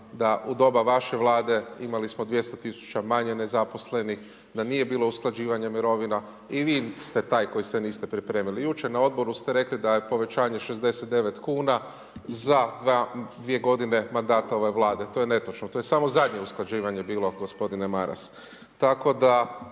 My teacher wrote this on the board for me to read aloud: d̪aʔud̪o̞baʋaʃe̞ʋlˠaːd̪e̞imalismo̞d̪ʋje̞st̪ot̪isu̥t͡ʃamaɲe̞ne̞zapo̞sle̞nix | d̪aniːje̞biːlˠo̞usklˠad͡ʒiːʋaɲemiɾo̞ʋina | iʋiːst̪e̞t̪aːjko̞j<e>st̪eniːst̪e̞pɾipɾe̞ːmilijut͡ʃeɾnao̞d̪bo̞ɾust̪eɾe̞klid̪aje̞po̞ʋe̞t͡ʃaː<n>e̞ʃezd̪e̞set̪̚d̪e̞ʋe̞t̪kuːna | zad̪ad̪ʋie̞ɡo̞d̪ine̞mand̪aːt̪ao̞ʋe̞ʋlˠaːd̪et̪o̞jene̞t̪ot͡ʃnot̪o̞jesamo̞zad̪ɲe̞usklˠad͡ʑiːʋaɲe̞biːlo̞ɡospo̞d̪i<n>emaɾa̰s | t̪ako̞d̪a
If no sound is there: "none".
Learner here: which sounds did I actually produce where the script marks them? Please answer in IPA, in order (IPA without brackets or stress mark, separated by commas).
i, ɲ, n